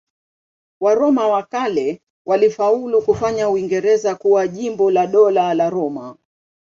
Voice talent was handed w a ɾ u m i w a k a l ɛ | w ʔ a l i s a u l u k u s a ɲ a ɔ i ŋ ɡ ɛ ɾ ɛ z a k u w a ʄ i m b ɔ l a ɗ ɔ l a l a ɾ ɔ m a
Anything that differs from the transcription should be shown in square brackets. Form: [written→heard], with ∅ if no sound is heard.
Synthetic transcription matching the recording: w a ɾ [u→ɔ] m [i→a] w a k a l ɛ | w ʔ a l i [s→f] a u l u k u [s→f] a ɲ a [ɔ→u] i ŋ ɡ ɛ ɾ ɛ z a k u w a ʄ i m b ɔ l a ɗ ɔ l a l a ɾ ɔ m a